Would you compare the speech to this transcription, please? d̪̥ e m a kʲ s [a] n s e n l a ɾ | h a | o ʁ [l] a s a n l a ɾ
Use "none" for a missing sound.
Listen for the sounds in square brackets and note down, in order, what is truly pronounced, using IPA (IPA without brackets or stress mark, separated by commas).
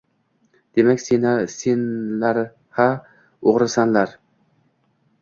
e, ɾ